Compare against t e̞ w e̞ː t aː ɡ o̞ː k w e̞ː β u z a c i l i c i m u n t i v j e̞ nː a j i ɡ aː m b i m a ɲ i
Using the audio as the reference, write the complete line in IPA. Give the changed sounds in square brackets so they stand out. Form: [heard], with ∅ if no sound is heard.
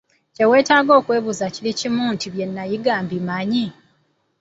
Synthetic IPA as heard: [c] e̞ w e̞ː t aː ɡ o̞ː k w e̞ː β u z a c i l i c i m u n t i [β] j e̞ nː a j i ɡ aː m b i m a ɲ i